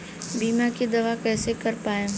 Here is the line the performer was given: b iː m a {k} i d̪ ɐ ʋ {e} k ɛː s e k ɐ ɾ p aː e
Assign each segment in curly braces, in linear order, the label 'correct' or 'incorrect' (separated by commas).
correct, incorrect